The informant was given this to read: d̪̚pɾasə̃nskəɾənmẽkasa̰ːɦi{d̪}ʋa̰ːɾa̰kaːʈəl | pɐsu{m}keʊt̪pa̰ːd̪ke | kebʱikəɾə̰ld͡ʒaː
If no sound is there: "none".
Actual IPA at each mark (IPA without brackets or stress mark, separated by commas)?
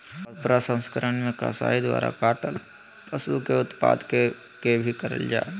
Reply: d̪, none